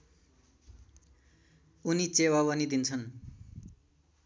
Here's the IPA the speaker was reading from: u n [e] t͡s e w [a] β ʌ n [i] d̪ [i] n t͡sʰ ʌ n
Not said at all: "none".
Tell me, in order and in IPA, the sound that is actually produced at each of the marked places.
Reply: i, a, i, i

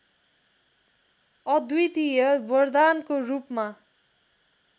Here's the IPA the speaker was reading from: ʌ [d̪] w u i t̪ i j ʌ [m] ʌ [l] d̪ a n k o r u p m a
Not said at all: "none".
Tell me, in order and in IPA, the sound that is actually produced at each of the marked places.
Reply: d̪, b, r

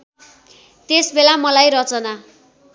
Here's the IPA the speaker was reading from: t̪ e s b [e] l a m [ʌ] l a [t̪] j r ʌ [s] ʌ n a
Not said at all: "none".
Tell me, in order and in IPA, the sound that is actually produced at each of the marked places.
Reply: e, ʌ, none, t͡s

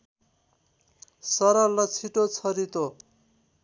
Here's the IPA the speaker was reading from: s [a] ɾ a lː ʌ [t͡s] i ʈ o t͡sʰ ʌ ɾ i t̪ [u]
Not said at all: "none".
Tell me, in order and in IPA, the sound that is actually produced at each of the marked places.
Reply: ʌ, t͡sʰ, o

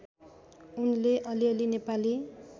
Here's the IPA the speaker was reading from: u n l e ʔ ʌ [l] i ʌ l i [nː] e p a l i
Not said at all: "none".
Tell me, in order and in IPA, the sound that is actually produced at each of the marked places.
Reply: l, n

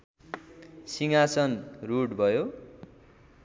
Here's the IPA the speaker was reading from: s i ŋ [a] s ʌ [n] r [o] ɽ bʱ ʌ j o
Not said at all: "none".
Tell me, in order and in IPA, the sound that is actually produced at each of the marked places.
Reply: a, n, u

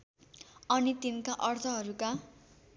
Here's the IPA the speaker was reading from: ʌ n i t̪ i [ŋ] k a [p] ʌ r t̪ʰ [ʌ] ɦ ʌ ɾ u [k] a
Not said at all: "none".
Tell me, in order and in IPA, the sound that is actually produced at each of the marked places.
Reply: n, ʔ, ʌ, k

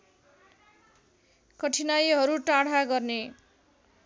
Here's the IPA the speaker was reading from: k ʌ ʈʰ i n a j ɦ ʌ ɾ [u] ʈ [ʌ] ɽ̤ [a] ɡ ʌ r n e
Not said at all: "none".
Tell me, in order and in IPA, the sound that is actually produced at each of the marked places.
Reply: u, a, a

